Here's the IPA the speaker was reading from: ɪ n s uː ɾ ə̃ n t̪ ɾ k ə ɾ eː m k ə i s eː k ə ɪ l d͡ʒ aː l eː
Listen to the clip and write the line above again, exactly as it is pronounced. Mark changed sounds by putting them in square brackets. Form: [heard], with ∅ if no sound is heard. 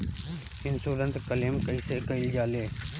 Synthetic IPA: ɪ n s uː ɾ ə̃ n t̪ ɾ k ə [l] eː m k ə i s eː k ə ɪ l d͡ʒ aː l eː